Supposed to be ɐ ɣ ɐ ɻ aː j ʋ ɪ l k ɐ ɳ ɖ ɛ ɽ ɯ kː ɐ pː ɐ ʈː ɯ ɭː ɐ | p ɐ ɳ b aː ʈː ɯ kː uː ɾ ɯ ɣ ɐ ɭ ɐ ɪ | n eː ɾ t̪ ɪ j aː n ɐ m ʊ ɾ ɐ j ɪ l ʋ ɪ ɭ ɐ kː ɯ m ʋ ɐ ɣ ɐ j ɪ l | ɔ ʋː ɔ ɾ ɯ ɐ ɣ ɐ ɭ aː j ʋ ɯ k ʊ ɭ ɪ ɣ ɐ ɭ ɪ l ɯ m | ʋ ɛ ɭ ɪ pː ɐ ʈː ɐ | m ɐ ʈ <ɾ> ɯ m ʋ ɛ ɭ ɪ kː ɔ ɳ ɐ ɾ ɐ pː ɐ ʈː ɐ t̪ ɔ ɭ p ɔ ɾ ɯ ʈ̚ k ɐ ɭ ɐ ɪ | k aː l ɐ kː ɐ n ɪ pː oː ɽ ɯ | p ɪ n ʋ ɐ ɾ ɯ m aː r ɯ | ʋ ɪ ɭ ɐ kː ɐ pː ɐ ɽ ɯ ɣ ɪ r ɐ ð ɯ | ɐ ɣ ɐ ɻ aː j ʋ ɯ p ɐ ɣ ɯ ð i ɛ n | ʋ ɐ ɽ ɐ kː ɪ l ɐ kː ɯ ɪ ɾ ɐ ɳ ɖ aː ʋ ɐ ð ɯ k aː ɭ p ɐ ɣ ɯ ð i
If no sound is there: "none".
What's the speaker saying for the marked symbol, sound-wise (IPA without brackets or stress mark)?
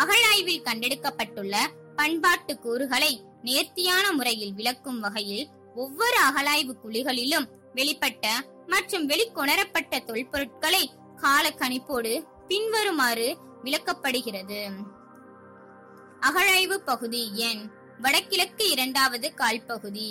r